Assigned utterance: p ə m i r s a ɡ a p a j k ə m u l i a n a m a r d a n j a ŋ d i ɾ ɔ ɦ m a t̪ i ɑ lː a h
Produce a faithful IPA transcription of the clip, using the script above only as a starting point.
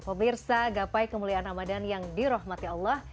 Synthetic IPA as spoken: p ə m i r s a ɡ a p a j k ə m u l i a n a m a d a n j a ŋ d i ɾ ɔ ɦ m a t̪ i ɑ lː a h